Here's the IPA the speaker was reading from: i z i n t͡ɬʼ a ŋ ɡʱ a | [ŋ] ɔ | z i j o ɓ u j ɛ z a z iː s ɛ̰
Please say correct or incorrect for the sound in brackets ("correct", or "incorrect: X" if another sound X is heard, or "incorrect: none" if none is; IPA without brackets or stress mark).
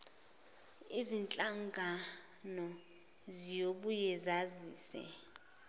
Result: incorrect: n